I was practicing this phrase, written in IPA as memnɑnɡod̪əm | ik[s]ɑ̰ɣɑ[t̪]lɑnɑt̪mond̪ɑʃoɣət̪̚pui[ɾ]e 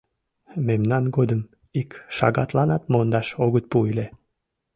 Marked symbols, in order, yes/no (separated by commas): no, yes, no